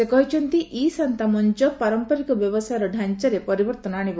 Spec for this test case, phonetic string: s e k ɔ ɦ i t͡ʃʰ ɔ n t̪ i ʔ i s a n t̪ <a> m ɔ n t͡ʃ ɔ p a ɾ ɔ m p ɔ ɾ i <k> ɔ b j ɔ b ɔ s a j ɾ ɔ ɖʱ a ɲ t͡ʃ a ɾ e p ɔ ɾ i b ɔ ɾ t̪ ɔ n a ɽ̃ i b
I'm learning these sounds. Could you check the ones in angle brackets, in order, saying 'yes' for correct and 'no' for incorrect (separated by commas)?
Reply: yes, yes